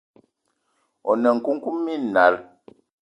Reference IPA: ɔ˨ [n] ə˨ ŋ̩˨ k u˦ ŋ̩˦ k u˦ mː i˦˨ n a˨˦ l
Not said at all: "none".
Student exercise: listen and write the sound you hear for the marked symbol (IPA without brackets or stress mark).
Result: n